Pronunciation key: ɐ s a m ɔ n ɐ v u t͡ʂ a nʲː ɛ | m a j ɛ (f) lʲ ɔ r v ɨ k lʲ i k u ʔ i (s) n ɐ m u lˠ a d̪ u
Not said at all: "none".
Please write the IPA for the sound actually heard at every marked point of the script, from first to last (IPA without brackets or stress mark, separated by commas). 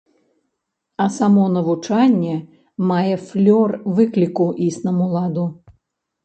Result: f, s